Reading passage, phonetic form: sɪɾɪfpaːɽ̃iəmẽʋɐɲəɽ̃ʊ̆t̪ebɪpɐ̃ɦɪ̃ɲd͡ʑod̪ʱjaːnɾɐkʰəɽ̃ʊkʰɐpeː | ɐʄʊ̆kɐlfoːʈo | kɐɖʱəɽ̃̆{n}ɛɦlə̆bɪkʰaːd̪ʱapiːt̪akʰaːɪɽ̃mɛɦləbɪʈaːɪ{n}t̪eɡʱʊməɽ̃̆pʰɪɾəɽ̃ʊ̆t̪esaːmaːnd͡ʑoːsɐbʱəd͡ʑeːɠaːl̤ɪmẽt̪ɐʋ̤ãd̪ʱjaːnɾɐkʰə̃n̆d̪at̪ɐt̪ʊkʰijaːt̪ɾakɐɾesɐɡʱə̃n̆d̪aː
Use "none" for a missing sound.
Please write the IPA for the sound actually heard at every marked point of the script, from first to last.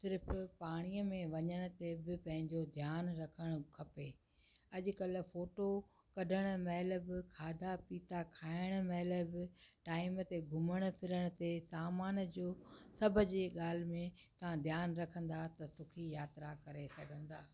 m, m

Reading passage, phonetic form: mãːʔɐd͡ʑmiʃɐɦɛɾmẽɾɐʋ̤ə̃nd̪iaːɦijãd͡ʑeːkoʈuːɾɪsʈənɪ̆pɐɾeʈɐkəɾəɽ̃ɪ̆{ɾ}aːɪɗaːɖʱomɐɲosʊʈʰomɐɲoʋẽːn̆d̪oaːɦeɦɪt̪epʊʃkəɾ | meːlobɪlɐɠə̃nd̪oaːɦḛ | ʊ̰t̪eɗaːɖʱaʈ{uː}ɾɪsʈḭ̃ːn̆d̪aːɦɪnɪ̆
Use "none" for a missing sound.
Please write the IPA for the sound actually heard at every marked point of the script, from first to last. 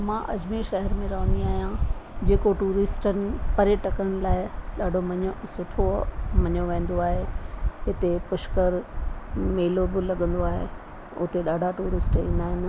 l, uː

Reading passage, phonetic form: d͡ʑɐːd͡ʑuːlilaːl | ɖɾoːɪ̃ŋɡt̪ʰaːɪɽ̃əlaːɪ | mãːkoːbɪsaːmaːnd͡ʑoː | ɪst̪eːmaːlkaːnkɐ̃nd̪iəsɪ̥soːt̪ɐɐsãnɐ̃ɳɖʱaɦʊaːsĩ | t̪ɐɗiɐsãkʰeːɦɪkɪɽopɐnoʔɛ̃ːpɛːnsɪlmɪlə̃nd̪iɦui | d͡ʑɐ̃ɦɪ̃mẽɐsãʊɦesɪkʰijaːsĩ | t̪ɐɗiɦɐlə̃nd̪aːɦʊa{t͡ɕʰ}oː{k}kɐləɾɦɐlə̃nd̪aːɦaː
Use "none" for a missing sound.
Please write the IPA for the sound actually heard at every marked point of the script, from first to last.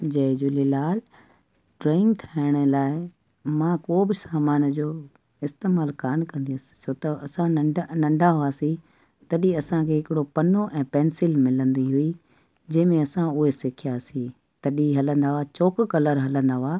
t͡ɕ, k

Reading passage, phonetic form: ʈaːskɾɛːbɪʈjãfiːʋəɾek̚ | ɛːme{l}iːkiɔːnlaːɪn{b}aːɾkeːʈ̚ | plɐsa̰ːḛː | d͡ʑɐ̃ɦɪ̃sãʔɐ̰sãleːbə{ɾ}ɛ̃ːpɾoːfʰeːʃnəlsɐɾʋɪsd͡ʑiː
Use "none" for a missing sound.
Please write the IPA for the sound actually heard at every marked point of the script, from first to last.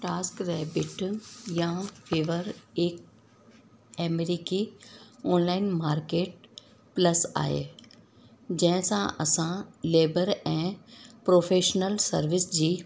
ɾ, m, ɾ

